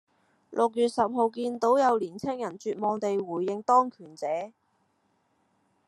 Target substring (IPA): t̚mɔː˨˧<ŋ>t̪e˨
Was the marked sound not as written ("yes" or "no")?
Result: no